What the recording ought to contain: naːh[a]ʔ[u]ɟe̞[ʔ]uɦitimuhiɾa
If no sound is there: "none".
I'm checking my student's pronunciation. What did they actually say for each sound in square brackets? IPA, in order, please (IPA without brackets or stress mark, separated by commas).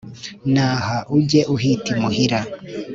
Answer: a, u, ʔ